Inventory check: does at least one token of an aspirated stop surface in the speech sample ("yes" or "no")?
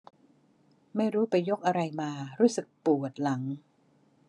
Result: no